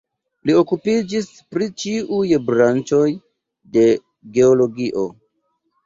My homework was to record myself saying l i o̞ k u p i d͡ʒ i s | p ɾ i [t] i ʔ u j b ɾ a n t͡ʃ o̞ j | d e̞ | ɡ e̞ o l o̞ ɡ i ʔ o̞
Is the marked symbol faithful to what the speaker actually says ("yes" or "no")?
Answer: no